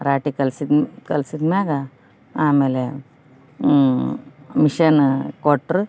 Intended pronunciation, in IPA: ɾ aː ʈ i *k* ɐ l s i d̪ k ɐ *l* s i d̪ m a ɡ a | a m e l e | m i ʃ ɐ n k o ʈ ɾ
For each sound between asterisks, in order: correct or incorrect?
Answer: correct, correct

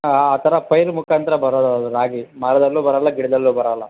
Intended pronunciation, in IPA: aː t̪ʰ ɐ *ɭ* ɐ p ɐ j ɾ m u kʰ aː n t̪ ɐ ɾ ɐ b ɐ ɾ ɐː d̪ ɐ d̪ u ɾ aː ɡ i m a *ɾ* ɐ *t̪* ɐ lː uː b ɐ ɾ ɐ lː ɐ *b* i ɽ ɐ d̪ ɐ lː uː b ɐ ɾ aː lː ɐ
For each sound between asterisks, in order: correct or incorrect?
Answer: incorrect: ɾ, correct, incorrect: d̪, incorrect: ɡ

